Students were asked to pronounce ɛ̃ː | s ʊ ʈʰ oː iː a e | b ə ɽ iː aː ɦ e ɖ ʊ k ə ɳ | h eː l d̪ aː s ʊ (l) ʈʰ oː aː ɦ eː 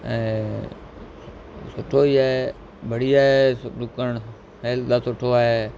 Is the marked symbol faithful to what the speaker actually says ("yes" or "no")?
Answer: no